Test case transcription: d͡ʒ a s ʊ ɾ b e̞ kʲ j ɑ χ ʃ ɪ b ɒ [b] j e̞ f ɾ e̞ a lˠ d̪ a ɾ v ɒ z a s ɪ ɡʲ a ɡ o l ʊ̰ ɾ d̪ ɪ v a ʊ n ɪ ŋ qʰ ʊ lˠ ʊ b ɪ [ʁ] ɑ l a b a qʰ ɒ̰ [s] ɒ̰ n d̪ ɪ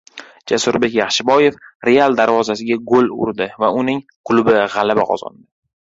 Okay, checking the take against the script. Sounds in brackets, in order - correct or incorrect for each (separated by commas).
incorrect, correct, incorrect